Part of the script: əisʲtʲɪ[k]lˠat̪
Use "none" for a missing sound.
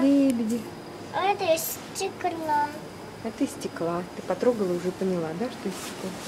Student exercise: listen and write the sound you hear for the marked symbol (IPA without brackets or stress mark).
k